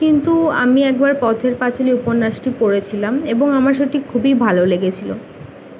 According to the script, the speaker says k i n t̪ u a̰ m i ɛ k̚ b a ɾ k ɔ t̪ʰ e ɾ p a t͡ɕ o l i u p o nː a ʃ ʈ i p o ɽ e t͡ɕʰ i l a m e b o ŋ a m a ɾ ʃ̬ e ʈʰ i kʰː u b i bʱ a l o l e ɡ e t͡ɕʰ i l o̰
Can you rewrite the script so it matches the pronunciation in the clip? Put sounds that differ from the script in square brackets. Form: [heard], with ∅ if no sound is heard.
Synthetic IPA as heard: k i n t̪ u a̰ m i ɛ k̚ b a ɾ [p] ɔ t̪ʰ e ɾ p a t͡ɕ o l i u p o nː a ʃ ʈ i p o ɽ e t͡ɕʰ i l a m e b o ŋ a m a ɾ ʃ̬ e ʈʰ i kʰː u b i bʱ a l o l e ɡ e t͡ɕʰ i l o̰